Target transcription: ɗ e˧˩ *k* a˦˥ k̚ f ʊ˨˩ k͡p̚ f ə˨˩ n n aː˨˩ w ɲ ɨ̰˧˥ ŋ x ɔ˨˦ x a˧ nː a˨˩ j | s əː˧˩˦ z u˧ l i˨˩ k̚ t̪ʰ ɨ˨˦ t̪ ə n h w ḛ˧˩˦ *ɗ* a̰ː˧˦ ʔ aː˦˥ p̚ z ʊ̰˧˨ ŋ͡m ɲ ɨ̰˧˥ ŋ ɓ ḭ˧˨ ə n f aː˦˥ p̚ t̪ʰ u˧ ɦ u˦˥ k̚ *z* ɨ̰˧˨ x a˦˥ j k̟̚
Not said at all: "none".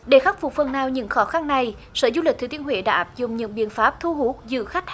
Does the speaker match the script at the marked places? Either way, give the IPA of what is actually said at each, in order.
x, ɗ, z

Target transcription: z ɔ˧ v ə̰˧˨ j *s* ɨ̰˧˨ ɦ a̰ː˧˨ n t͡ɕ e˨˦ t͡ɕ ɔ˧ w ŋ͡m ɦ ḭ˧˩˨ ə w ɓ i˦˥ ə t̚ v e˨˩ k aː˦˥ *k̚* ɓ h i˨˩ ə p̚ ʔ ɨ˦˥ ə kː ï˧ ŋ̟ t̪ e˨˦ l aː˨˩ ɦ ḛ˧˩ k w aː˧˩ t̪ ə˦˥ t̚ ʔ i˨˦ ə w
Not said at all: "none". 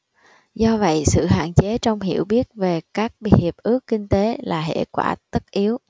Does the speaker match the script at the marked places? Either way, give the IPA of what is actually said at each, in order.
s, k̚

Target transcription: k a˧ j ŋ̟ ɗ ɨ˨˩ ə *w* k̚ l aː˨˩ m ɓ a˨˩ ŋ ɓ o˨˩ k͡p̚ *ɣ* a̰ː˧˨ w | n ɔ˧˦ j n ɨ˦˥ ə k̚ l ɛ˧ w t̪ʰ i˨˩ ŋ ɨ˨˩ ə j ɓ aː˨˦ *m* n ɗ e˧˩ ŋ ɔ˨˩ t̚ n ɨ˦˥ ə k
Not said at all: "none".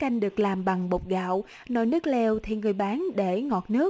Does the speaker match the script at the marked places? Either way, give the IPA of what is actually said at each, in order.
none, ɣ, none

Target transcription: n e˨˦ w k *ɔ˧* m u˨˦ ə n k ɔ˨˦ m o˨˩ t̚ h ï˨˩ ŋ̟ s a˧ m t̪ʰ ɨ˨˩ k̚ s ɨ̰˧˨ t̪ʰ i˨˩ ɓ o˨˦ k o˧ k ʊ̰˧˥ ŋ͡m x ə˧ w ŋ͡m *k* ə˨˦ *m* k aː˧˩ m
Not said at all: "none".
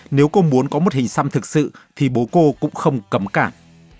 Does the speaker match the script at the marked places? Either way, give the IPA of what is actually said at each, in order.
o˧, k, m

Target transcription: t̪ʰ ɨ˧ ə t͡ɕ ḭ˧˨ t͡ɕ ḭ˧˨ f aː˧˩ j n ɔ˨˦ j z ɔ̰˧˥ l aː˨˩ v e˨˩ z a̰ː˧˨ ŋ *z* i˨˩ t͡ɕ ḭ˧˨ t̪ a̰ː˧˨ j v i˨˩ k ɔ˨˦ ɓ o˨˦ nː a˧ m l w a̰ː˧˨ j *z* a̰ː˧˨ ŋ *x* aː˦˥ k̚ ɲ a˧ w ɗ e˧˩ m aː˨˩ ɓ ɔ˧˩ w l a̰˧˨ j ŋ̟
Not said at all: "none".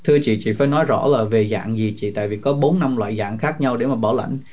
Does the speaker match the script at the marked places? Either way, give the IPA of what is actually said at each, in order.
z, z, x

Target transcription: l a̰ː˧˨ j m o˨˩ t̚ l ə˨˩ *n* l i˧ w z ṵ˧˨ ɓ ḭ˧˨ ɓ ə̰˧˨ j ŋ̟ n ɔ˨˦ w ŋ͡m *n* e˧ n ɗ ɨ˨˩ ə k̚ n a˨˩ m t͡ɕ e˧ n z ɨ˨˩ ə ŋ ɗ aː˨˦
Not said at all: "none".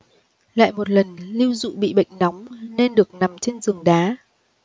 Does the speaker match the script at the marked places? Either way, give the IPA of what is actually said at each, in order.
n, n

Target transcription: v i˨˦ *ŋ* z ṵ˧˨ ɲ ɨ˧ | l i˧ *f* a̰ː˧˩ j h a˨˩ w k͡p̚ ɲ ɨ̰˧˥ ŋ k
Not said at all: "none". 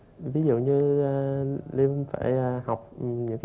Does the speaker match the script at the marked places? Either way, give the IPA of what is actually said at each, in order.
none, f

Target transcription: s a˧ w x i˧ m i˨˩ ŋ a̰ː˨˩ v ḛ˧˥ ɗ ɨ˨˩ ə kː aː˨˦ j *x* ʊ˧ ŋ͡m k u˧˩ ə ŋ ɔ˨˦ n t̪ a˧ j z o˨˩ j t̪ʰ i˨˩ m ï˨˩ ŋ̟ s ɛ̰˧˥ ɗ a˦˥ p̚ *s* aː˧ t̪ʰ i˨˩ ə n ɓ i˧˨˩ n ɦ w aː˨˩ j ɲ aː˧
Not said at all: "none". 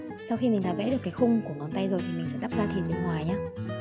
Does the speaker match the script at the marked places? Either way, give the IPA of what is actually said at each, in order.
x, z

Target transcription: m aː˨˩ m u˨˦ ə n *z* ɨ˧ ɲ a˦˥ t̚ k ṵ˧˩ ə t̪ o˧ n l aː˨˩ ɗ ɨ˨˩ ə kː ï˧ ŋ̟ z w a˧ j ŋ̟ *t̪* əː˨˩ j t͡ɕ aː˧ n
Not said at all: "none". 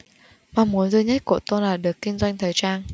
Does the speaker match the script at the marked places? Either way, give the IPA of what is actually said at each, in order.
z, t̪ʰ

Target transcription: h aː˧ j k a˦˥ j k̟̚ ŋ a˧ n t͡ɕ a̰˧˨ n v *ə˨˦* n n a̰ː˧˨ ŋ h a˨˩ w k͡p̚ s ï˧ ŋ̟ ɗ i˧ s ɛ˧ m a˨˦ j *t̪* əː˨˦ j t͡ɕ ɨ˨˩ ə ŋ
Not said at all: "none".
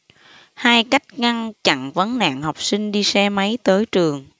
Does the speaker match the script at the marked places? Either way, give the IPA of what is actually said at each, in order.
ə˨˦, t̪

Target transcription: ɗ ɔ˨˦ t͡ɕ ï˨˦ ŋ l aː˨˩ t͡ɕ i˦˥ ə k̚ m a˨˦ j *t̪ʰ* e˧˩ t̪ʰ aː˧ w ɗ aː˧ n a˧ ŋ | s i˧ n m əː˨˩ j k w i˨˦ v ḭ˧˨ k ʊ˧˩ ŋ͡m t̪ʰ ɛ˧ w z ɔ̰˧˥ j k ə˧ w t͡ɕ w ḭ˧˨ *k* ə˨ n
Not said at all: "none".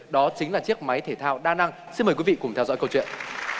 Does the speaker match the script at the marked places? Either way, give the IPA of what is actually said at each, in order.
t̪ʰ, none

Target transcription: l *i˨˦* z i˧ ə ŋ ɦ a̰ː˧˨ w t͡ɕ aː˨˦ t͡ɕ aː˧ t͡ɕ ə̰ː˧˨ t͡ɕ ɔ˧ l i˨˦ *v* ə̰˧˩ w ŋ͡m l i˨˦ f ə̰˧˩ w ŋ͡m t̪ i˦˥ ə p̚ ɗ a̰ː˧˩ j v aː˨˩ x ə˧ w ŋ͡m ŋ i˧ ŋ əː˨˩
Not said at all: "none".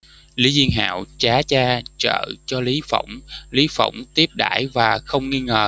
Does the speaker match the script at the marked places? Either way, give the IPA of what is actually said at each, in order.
i˨˦, f

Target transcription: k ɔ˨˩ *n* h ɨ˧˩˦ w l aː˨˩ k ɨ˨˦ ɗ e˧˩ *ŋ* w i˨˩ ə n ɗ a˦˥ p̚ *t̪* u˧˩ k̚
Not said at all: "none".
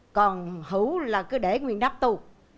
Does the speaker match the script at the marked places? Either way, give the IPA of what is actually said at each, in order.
n, ŋ, t̪

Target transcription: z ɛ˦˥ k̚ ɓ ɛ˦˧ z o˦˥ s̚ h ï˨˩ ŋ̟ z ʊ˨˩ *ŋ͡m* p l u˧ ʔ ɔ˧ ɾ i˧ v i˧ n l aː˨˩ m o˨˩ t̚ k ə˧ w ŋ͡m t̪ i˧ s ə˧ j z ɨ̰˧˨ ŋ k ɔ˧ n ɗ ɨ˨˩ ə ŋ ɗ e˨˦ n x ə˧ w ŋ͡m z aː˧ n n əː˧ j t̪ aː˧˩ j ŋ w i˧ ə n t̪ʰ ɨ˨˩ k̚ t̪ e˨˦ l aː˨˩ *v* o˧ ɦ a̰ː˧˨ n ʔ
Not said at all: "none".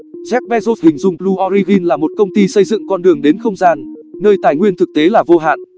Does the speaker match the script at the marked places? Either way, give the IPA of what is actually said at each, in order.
ŋ͡m, v

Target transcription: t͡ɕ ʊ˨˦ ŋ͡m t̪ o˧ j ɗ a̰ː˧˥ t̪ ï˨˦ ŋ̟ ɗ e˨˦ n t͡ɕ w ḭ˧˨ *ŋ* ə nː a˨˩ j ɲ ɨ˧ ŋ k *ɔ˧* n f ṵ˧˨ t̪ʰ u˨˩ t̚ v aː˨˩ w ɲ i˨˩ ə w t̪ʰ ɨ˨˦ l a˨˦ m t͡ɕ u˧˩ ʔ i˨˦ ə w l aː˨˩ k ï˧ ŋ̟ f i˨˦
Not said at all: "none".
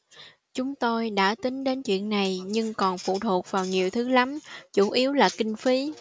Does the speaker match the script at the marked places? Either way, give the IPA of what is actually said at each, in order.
none, ɔ˨˩

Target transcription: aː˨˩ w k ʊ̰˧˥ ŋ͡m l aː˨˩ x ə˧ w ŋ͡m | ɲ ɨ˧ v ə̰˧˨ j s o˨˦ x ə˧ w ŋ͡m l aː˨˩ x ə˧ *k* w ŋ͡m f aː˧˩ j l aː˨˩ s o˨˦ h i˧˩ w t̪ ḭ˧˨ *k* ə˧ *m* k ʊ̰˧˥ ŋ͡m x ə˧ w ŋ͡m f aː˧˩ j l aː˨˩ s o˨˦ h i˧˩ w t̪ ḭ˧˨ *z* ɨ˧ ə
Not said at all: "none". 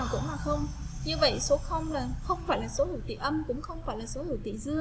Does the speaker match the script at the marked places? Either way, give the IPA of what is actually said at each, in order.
none, ʔ, m, z

